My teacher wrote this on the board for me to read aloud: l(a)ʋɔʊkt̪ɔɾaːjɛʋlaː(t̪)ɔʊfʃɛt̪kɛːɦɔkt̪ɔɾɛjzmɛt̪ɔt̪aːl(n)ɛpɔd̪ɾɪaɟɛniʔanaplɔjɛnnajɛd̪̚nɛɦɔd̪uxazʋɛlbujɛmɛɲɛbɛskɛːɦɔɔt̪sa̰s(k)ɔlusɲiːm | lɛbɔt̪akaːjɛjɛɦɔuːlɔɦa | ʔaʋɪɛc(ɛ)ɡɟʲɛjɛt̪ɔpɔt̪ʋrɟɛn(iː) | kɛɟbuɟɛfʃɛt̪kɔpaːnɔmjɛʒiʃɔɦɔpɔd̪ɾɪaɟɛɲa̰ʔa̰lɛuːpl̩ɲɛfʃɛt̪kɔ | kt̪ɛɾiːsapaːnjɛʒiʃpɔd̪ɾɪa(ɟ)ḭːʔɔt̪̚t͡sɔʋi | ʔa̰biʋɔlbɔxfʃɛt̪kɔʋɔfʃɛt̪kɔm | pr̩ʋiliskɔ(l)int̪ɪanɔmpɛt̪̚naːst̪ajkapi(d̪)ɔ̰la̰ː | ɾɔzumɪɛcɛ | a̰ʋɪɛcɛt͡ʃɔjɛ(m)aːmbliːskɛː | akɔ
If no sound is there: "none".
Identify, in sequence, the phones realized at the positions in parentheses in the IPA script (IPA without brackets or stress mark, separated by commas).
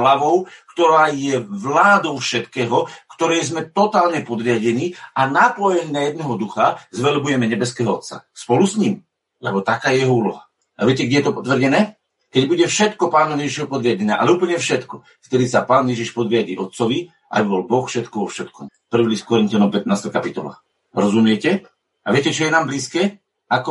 a, d̪, ɲ, p, ɛ, ɛː, ɟ, ɾ, t̪, n